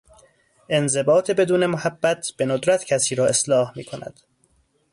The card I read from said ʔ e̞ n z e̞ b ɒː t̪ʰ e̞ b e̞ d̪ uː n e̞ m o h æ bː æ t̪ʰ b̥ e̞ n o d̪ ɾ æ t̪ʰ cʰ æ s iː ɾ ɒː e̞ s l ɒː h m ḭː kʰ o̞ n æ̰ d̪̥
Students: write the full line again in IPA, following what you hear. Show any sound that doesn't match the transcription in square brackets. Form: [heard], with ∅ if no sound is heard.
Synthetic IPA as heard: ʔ e̞ n z e̞ b ɒː t̪ʰ e̞ b e̞ d̪ uː n e̞ m o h æ bː æ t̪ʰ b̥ e̞ n o d̪ ɾ æ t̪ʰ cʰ æ s iː ɾ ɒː e̞ s l ɒː h m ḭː kʰ o̞ n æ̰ d̪̥

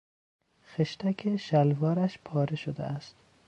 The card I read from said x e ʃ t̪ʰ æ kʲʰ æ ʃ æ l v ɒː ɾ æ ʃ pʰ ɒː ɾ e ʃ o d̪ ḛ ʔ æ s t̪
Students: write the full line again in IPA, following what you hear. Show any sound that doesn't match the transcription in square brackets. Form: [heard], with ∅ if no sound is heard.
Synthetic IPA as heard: x e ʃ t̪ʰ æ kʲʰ [e] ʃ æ l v ɒː ɾ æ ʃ pʰ ɒː ɾ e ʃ o d̪ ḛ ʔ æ s t̪

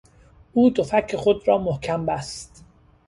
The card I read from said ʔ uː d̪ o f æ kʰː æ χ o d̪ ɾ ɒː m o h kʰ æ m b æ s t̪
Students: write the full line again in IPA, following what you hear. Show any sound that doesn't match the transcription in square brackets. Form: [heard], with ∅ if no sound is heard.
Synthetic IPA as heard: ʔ uː d̪ o f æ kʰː [e] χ o d̪ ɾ ɒː m o h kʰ æ m b æ s t̪

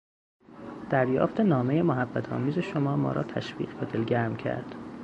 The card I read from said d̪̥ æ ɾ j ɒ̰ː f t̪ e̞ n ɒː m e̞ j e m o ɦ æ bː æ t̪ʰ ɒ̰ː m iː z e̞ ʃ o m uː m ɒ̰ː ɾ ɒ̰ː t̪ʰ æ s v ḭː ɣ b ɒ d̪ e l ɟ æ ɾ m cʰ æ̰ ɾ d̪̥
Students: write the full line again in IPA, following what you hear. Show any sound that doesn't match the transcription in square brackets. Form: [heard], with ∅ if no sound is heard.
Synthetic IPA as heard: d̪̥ æ ɾ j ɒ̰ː f t̪ e̞ n ɒː m e̞ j e m o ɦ æ bː æ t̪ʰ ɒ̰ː m iː z e̞ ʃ o m [ɒː] m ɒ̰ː ɾ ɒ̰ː t̪ʰ æ [ʃ] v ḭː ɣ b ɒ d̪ e l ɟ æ ɾ m cʰ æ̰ ɾ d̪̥

